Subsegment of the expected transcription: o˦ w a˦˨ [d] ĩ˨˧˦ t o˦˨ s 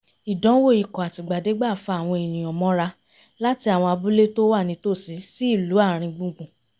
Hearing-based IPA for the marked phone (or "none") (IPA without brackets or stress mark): n